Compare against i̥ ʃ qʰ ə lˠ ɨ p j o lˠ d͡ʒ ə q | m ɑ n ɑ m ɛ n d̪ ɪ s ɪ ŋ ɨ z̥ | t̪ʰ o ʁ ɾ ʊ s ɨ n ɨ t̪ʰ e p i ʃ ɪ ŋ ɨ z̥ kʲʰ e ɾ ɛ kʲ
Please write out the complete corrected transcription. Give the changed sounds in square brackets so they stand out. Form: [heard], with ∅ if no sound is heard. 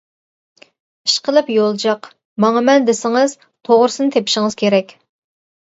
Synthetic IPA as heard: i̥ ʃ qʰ ə lˠ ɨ p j o lˠ d͡ʒ [ɑ] q | m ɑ [ŋ] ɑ m ɛ n d̪ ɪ s ɪ ŋ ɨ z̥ | t̪ʰ o ʁ ɾ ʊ s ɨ n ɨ t̪ʰ e p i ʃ ɪ ŋ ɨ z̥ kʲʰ e ɾ ɛ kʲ